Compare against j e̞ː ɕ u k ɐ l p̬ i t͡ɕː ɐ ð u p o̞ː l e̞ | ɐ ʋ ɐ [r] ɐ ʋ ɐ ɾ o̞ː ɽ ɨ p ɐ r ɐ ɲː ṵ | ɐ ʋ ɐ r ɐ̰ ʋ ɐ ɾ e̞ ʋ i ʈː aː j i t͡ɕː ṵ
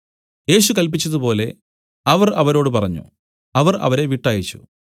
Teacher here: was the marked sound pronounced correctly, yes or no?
yes